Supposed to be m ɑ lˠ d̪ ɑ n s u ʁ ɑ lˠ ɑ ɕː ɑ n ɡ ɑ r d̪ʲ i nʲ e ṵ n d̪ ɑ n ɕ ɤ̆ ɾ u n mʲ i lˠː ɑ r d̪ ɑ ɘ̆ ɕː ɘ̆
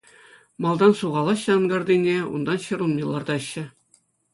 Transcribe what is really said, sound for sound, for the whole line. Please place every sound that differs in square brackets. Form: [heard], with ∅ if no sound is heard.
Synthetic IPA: m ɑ lˠ d̪ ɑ n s u ʁ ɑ lˠ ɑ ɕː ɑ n ɡ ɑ r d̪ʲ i nʲ e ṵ n d̪ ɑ n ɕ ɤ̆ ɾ u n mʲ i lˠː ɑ r d̪ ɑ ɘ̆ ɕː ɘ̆